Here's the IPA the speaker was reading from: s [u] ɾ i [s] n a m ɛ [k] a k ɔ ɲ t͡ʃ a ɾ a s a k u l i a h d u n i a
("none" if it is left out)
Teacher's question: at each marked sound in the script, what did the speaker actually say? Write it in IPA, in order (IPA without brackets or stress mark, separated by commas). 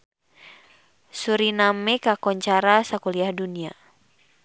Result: u, none, k